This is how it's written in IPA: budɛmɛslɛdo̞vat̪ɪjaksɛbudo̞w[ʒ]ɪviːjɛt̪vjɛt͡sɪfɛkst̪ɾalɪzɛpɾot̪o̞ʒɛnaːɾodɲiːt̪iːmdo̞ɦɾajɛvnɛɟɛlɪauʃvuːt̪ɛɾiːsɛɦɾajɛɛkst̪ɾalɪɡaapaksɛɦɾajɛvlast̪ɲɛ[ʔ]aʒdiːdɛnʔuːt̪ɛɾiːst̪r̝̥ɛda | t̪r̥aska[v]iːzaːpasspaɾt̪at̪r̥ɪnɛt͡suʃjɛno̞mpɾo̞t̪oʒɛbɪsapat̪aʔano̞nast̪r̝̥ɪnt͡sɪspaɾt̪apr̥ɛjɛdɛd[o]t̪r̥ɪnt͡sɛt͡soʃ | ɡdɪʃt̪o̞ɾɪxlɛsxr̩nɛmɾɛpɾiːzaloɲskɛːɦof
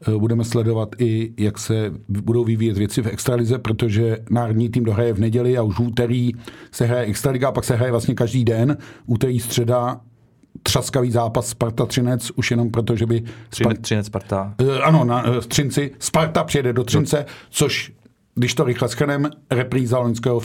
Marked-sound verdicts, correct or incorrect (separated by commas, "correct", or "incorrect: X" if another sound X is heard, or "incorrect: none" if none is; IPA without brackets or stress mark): incorrect: v, incorrect: k, correct, correct